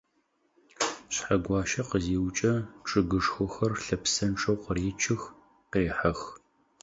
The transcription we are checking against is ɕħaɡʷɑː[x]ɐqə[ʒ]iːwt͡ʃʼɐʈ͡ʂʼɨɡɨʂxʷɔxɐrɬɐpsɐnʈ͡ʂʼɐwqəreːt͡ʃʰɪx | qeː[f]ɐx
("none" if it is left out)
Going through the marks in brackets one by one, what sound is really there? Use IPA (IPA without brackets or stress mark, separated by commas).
ʃ, z, ħ